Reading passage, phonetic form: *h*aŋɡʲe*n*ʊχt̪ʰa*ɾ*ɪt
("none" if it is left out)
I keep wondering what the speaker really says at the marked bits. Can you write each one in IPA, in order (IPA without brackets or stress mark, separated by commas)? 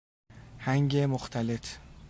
h, m, l